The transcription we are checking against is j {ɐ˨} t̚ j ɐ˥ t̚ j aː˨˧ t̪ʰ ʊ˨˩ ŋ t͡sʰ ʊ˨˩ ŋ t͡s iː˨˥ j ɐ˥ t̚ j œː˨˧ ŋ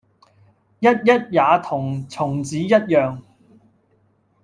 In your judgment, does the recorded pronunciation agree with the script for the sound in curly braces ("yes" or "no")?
no